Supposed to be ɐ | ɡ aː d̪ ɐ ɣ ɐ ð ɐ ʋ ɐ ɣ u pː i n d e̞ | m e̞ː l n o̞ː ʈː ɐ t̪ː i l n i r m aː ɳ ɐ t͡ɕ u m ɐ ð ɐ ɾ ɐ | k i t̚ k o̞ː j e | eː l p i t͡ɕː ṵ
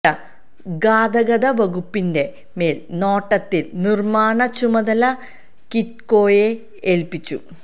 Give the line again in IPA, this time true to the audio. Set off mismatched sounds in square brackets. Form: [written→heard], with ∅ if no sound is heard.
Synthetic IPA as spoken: ɐ | ɡ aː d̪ ɐ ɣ ɐ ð ɐ ʋ ɐ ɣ u pː i n d e̞ | m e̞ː l n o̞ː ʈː ɐ t̪ː i l n i r m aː ɳ ɐ t͡ɕ u m ɐ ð ɐ [ɾ→l] ɐ | k i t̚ k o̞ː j e | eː l p i t͡ɕː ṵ